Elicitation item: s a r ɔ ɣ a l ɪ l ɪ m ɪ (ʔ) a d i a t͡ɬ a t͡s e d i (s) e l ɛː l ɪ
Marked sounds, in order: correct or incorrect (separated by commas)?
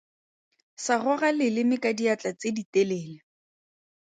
incorrect, incorrect